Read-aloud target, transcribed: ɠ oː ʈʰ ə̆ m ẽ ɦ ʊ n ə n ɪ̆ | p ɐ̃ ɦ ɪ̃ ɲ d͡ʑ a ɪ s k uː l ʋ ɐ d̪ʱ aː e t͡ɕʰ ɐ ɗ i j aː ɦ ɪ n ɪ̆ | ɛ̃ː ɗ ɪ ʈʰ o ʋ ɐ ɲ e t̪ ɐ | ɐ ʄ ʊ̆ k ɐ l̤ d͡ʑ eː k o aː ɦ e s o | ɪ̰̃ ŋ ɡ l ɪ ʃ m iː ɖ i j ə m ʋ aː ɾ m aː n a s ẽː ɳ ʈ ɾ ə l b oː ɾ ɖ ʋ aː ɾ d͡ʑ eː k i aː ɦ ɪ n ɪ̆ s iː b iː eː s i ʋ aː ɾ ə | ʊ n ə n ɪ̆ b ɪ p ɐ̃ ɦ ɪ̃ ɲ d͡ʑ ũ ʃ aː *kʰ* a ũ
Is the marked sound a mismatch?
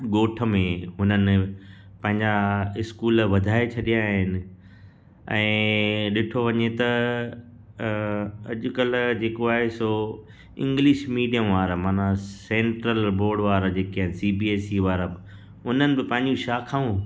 no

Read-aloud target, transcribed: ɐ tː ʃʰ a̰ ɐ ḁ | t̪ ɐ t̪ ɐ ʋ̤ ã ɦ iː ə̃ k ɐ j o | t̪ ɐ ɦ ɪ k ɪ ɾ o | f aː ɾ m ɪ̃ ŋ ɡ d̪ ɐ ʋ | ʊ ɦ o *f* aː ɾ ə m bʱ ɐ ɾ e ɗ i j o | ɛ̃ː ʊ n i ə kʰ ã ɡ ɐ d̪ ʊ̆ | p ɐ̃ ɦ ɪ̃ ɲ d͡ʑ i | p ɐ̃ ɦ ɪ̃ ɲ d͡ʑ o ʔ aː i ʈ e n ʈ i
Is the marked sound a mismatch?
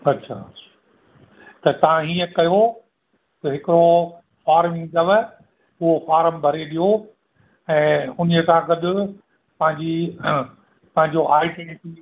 no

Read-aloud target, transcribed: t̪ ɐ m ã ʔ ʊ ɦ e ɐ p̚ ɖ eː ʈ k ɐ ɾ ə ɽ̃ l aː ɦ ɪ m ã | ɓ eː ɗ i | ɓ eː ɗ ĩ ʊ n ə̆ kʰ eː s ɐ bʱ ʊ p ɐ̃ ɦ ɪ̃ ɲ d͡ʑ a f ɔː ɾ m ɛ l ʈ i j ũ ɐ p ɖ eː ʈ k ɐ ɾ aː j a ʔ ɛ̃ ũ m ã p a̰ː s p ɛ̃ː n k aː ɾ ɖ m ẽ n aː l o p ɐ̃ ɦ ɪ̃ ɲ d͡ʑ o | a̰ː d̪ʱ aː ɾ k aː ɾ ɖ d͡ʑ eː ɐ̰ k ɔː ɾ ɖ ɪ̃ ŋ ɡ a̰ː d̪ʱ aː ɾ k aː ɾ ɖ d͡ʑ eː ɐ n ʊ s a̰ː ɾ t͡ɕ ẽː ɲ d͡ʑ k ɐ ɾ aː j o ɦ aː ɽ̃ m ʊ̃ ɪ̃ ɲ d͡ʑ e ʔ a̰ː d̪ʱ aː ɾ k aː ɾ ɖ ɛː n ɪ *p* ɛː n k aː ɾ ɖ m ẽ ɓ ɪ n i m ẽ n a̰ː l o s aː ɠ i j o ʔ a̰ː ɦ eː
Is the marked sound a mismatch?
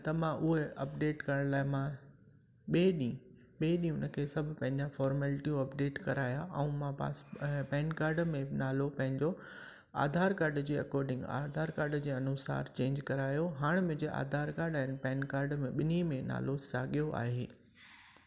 no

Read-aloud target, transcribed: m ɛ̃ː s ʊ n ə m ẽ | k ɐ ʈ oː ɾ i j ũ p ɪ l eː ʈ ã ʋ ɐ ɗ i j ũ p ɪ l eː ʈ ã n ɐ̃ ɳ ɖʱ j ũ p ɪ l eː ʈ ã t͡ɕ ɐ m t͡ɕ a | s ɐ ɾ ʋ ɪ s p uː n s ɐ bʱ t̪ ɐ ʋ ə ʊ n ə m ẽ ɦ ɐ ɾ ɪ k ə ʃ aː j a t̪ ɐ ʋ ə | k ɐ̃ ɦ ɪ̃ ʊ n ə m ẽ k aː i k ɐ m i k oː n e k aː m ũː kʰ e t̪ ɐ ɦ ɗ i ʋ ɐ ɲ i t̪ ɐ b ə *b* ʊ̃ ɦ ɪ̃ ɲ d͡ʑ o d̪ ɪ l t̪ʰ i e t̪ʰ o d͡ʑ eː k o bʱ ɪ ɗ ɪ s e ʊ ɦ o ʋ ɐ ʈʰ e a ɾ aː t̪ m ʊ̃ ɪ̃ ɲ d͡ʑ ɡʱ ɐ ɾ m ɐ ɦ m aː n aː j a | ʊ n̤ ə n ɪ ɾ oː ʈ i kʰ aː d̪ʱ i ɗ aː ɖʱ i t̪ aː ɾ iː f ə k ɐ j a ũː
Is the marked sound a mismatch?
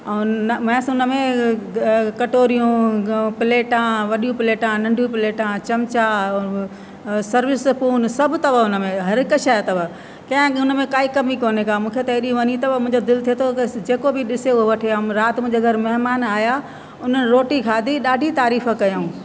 yes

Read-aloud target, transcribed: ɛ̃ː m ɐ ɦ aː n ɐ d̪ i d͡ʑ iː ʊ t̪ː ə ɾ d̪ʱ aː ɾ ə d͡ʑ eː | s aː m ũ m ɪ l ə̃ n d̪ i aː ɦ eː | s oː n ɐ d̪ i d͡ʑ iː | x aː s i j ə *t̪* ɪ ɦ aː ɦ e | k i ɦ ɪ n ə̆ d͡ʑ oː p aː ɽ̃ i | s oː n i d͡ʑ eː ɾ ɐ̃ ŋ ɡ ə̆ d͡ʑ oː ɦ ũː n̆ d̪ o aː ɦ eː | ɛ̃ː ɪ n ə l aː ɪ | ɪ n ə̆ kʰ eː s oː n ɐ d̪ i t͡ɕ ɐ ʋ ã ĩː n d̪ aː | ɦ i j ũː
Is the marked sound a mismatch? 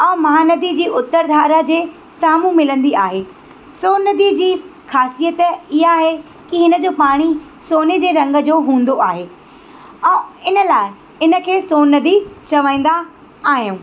no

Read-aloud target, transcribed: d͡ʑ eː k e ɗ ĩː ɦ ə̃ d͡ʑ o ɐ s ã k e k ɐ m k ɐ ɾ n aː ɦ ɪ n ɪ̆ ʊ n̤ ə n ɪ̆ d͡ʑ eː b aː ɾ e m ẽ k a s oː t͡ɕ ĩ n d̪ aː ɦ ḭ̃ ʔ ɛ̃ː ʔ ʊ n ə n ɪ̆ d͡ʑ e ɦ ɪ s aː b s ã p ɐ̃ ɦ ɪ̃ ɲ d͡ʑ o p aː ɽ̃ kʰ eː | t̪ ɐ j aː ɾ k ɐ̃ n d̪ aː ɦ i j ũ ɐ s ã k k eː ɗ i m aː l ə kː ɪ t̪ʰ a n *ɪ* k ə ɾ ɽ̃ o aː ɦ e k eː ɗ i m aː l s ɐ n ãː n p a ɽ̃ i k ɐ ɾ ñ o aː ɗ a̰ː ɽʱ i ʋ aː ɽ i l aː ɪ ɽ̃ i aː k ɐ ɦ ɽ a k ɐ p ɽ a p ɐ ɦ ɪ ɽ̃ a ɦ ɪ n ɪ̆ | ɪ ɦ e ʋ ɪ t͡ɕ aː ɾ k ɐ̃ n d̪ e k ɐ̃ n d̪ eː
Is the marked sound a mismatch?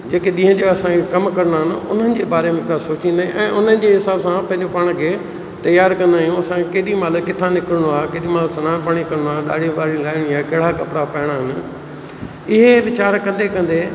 no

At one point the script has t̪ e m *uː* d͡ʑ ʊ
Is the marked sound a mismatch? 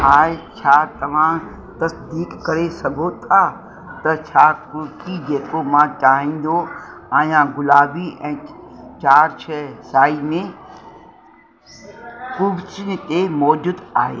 yes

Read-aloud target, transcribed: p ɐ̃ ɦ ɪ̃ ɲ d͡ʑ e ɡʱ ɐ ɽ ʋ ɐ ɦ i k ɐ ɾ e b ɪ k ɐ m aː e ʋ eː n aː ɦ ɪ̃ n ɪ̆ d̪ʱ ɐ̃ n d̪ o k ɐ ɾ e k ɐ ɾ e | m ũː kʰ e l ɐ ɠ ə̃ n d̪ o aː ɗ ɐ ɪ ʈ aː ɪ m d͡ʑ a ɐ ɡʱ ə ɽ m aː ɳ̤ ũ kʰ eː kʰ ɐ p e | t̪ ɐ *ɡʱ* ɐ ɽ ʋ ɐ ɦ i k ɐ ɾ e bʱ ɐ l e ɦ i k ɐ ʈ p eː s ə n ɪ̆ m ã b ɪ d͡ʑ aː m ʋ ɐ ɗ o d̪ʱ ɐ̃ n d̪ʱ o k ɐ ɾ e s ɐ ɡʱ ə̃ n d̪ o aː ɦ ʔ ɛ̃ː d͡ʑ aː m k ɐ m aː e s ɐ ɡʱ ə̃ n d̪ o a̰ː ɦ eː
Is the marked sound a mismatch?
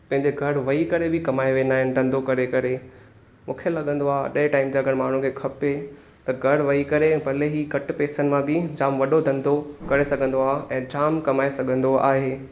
no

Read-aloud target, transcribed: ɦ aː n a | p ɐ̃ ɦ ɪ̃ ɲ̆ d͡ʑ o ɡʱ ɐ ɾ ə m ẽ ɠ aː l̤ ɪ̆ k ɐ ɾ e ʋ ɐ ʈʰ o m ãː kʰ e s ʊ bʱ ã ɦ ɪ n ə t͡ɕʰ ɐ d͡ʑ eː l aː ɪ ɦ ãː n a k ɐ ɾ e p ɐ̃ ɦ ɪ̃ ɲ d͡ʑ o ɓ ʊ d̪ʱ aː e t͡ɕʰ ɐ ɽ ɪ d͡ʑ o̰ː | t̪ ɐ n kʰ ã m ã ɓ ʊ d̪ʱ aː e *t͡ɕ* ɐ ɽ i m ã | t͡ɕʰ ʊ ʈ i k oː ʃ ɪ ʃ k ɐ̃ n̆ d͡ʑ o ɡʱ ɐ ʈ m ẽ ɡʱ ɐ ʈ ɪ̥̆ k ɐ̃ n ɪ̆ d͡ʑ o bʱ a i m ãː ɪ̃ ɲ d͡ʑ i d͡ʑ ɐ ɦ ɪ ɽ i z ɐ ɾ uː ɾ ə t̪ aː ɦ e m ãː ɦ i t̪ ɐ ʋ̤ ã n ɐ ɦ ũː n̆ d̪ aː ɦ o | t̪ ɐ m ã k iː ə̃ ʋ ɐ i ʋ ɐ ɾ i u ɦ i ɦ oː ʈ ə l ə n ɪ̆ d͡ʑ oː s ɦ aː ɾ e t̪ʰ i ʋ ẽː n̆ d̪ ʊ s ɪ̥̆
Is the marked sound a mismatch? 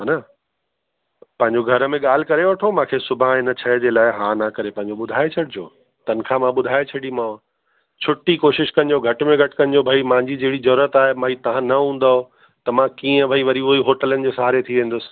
yes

